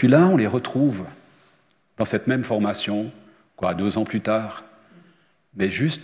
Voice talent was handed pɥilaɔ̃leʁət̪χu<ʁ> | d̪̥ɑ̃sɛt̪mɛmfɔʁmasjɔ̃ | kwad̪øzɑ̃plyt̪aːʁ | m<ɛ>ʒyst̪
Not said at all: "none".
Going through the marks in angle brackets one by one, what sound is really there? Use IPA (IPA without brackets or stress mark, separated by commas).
v, ɛ